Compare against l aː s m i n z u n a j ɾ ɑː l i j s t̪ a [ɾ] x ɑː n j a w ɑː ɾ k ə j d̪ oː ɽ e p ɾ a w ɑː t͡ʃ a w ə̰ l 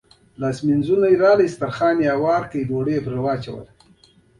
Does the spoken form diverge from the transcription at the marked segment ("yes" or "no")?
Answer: no